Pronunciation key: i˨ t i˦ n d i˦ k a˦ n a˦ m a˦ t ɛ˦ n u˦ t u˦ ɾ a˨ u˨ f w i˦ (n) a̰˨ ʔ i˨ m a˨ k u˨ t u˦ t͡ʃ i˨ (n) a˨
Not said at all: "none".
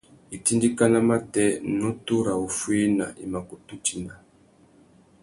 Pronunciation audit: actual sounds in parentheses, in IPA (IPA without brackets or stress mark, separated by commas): n, n